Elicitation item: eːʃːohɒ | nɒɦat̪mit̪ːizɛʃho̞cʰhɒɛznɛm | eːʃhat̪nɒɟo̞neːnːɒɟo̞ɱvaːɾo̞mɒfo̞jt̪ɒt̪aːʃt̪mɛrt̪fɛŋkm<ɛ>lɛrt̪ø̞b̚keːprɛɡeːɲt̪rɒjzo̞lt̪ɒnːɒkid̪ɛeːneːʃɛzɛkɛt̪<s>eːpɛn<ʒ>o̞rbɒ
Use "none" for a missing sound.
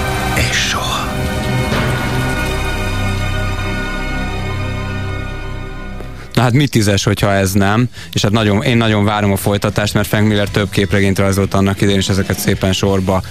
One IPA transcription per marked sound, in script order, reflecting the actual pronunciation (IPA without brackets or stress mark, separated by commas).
i, s, ʃ